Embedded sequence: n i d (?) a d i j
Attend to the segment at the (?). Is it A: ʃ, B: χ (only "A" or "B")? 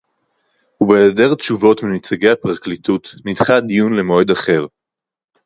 B